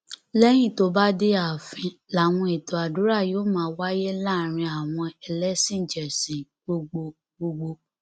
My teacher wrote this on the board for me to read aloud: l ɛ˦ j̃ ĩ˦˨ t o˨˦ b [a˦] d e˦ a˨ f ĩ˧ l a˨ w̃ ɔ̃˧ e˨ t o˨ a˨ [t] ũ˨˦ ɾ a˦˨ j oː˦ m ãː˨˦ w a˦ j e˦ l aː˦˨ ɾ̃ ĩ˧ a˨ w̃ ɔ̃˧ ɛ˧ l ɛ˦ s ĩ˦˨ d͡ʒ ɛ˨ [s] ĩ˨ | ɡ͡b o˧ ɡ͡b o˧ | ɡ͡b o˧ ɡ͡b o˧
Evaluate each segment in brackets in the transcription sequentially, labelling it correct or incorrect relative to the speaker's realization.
correct, incorrect: d, correct

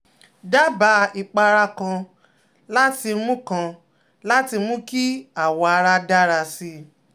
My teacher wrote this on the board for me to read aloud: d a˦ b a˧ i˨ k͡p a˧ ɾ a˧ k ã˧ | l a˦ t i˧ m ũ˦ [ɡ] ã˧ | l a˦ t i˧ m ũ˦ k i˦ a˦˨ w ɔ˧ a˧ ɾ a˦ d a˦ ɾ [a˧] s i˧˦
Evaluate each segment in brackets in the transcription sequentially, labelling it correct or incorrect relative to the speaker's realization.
incorrect: k, correct

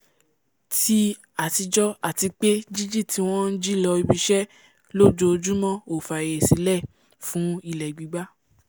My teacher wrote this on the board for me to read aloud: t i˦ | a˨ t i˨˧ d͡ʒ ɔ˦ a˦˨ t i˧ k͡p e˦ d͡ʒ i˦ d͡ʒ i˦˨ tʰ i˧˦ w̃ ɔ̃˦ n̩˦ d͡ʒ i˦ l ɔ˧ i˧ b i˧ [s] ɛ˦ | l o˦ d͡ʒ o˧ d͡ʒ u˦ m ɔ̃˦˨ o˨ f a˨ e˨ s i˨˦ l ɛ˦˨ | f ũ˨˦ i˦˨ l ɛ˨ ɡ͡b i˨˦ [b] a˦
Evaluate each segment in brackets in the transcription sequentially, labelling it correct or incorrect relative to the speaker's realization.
incorrect: ʃ, incorrect: ɡ͡b

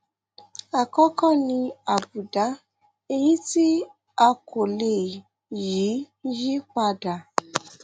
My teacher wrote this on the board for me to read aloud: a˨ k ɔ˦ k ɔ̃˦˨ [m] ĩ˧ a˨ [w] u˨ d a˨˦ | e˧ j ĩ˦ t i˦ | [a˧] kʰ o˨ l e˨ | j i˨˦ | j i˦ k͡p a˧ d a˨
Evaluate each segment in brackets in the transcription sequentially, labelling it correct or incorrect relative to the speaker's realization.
incorrect: n, incorrect: b, correct

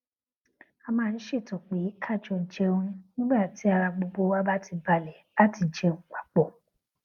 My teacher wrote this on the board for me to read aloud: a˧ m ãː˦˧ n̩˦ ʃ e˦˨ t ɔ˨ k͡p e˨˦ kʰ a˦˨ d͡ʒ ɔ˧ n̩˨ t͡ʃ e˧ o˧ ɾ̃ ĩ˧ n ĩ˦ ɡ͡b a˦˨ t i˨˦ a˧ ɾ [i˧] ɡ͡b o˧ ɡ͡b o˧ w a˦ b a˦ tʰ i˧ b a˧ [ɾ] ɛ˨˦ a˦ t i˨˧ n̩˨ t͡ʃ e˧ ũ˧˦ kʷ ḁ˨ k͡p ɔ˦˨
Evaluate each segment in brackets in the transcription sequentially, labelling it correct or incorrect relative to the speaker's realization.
incorrect: a˧, incorrect: l

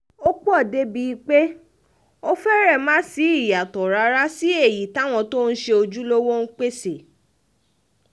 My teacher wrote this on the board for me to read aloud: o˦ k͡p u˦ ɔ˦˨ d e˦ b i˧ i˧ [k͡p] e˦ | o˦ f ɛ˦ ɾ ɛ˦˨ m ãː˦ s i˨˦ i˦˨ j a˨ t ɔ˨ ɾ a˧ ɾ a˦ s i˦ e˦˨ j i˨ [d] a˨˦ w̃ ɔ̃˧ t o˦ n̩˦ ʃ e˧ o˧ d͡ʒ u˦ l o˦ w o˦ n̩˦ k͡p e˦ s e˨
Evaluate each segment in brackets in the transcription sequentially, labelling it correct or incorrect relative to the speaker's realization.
correct, incorrect: t

